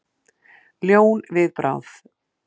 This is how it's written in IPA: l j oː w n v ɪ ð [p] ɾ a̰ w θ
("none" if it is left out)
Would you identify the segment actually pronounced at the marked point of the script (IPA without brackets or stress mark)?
p